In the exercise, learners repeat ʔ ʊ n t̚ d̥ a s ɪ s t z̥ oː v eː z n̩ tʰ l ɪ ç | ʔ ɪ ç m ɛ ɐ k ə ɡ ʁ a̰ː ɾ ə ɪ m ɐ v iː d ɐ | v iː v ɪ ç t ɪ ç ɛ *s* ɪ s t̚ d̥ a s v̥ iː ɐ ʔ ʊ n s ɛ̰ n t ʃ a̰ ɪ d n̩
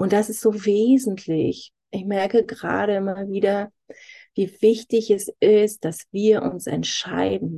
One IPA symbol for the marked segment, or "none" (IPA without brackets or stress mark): s